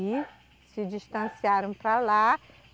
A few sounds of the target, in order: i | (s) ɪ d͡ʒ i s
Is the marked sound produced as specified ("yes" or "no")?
yes